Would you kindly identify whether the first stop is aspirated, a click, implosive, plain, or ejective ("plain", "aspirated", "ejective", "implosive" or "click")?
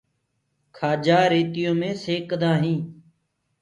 aspirated